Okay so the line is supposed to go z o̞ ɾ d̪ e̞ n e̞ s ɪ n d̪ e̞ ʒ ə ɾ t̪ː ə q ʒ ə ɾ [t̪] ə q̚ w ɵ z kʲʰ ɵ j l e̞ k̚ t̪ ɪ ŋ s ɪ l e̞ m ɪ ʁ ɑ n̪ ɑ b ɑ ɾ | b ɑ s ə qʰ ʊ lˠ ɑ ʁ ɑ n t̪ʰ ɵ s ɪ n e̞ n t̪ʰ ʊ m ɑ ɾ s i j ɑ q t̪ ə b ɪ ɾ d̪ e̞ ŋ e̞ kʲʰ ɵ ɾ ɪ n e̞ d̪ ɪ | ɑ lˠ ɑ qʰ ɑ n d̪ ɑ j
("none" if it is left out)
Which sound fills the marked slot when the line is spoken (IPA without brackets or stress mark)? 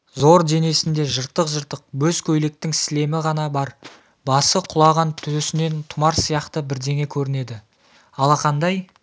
t̪